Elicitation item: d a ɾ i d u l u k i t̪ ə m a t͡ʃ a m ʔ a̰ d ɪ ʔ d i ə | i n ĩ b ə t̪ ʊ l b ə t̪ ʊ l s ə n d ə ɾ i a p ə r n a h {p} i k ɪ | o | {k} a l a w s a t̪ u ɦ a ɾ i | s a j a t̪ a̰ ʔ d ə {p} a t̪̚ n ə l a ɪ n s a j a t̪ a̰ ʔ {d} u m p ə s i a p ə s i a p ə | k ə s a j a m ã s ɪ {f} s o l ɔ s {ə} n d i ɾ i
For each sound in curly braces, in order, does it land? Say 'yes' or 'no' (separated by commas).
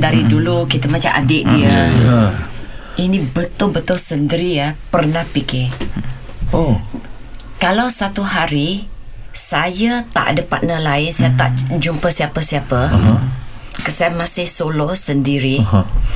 yes, yes, yes, no, no, yes